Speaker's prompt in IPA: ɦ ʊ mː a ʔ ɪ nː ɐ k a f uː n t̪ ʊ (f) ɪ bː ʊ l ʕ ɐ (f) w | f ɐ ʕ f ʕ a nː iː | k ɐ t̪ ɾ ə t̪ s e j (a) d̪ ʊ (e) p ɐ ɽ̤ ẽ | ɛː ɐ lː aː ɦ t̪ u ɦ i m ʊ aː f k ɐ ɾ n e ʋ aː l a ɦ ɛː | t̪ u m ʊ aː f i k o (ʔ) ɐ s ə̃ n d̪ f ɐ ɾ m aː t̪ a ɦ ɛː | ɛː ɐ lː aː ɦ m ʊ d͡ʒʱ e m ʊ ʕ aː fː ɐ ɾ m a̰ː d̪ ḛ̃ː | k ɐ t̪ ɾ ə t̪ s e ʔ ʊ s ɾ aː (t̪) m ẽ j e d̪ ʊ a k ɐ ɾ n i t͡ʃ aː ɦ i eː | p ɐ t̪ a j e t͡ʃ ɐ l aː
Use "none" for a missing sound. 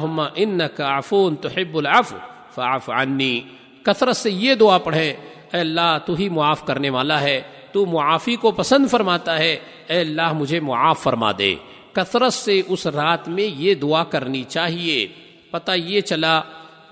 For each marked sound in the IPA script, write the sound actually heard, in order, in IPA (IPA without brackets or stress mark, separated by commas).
ħ, f, e, a, p, t̪